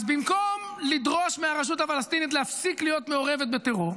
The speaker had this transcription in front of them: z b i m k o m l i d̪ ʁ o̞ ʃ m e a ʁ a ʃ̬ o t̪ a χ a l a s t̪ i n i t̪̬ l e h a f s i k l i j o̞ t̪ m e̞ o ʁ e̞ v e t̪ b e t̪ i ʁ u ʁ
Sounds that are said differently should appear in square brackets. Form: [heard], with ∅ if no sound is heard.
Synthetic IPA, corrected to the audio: z b i m k o m l i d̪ ʁ o̞ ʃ m e a ʁ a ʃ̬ [u] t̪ a [f] a l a s t̪ i n i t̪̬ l e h a f s i k l i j o̞ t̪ m e̞ o ʁ e̞ v e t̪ b e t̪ [e] ʁ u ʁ